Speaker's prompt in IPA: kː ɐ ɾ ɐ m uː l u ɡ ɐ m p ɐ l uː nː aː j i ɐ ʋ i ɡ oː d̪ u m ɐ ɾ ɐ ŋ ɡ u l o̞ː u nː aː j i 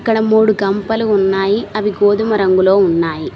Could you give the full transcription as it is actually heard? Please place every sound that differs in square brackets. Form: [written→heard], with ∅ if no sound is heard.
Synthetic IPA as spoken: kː ɐ [ɾ→ɽ] ɐ m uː [l→ɽ] u ɡ ɐ m p ɐ l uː nː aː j i ɐ ʋ i ɡ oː d̪ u m ɐ ɾ ɐ ŋ ɡ u l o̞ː u nː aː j i

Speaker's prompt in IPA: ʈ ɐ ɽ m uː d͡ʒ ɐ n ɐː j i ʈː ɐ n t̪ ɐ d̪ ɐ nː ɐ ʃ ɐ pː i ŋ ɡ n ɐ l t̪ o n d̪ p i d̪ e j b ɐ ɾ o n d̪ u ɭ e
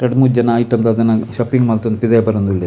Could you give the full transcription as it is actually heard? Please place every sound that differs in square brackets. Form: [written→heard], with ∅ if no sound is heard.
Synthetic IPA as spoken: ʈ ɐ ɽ m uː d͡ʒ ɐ n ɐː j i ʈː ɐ n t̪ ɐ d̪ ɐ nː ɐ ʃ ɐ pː i ŋ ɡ [n→m] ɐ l t̪ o n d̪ p i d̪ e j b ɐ ɾ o n d̪ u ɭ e

